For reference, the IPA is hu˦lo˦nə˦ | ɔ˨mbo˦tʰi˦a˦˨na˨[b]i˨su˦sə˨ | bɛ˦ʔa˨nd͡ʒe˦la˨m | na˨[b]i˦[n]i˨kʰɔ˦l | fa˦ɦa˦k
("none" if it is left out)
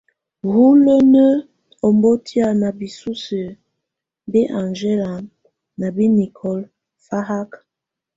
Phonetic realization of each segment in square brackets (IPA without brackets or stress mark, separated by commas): b, b, n